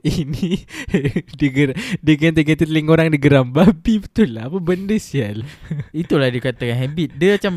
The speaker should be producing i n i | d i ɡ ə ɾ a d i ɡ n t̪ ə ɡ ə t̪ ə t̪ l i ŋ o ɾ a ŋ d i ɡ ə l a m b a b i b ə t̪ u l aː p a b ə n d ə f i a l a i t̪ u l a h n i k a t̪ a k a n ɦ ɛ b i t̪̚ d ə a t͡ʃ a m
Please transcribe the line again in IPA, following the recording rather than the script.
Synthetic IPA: i n i | d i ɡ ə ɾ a d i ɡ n t̪ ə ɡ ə t̪ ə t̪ l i ŋ o ɾ a ŋ d i ɡ ə ɾ a m b a b i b ə t̪ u l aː p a b ə n d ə s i a l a i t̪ u l a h d i k a t̪ a k a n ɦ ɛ b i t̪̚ d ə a t͡ʃ a m